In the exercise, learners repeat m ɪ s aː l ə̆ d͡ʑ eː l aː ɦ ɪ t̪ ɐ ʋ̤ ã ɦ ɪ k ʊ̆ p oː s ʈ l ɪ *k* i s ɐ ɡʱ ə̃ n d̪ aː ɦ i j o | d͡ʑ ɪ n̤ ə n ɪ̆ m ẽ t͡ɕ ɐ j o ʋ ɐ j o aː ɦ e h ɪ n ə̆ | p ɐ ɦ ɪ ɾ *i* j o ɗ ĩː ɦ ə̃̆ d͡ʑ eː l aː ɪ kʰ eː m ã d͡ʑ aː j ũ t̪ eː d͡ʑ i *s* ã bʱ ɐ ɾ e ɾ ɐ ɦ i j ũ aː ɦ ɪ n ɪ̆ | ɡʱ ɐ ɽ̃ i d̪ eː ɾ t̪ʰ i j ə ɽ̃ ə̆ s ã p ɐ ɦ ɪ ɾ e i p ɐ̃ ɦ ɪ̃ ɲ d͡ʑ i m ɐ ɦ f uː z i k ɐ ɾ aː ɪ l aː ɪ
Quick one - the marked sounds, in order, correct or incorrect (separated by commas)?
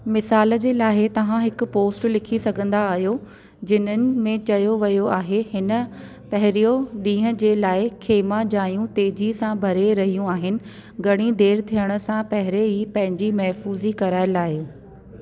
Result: incorrect, correct, correct